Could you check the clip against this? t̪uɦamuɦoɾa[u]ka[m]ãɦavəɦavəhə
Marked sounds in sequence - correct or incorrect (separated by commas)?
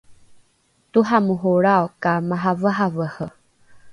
incorrect, correct